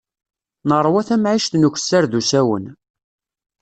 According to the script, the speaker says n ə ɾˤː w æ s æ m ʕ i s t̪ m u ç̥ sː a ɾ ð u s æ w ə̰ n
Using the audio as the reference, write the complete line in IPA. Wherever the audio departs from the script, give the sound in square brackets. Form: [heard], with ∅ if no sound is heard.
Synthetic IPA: n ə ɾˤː w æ [θ] æ m ʕ i [ʃ] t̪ [n] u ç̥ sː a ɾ ð u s æ w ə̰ n